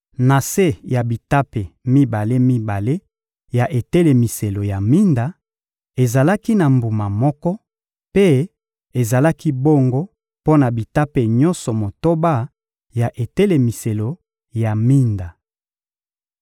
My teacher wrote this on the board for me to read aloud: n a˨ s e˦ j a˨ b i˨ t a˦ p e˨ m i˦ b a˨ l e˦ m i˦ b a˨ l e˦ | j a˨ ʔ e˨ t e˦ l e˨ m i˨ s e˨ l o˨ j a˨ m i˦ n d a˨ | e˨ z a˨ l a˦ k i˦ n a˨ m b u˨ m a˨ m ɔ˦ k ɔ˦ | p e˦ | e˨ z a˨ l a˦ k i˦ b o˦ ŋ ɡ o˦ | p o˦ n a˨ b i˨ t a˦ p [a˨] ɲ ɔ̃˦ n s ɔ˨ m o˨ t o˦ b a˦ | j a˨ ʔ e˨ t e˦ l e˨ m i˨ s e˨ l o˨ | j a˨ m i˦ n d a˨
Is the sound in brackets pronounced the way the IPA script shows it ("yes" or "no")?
no